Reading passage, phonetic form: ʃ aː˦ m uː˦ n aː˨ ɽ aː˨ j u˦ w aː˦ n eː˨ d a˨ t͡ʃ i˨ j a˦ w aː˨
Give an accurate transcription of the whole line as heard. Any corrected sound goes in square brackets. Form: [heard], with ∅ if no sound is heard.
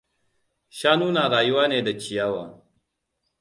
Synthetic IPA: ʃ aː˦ [n] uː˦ n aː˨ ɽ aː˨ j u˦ w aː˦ n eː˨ d a˨ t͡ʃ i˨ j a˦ w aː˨